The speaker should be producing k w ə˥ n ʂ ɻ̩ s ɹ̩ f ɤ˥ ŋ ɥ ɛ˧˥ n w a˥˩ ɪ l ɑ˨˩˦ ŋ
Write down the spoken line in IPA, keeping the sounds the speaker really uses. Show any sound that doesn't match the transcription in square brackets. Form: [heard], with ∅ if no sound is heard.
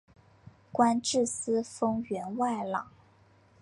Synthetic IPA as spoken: k w [a˥] n [ʈ͡ʂ] ɻ̩ s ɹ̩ f ɤ˥ ŋ ɥ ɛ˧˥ n w a˥˩ ɪ l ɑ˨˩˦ ŋ